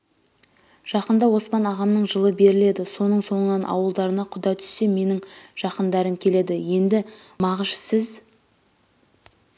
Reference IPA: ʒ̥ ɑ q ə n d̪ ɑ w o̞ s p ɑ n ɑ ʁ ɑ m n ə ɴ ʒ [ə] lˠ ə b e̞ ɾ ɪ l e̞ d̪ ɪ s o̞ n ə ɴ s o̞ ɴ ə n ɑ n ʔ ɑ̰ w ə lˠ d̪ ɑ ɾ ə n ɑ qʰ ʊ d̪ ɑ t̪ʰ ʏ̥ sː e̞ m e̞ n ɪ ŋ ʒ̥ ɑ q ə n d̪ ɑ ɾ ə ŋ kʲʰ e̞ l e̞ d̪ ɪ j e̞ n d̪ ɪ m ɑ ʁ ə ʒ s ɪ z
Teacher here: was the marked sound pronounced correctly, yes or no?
yes